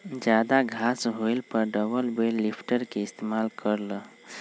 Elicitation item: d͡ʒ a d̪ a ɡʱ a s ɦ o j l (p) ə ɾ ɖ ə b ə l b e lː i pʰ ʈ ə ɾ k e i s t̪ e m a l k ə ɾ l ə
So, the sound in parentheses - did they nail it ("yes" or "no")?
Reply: yes